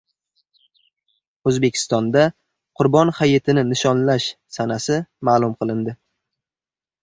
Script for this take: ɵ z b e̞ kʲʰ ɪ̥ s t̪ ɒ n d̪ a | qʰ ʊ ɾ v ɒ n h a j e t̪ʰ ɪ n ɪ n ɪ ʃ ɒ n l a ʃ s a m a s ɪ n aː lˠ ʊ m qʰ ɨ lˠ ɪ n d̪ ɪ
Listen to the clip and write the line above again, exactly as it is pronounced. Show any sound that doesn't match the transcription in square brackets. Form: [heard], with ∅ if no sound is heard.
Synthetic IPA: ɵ z b e̞ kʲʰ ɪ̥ s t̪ ɒ n d̪ a | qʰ ʊ ɾ [b] ɒ n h a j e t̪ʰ ɪ n ɪ n ɪ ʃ ɒ n l a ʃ s a [n] a s ɪ [m] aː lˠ ʊ m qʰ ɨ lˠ ɪ n d̪ ɪ